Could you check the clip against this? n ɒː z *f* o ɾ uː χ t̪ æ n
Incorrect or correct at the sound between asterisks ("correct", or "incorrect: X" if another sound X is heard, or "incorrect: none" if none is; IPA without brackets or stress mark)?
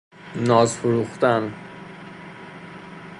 correct